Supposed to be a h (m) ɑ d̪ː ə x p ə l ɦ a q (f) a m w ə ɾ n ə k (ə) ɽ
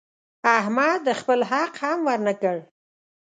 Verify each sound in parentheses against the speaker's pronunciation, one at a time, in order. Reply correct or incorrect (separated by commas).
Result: correct, incorrect, correct